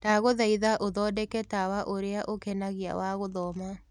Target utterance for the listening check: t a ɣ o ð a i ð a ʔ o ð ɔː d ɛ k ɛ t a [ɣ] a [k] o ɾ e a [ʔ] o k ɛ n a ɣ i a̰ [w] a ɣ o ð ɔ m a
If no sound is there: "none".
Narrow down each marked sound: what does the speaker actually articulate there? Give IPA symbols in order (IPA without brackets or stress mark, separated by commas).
w, ʔ, ʔ, w